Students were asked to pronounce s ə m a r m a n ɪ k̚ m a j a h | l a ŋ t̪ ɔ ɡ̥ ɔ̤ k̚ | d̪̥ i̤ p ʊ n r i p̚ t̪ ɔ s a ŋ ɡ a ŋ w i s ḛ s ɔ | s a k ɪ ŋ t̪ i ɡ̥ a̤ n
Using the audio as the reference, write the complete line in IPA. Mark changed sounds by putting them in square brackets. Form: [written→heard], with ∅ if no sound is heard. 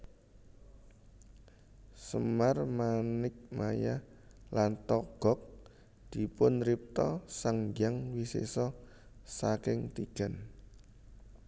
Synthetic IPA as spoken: s ə m a r m a n ɪ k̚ m a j a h | l a [ŋ→n] t̪ ɔ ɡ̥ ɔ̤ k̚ | d̪̥ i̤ p ʊ n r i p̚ t̪ ɔ s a ŋ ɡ a ŋ w i s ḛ s ɔ | s a k ɪ ŋ t̪ i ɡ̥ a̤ n